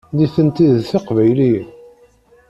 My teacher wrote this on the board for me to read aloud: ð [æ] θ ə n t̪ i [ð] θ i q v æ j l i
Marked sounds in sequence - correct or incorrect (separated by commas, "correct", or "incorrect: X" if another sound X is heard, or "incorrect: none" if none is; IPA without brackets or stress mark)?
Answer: incorrect: i, correct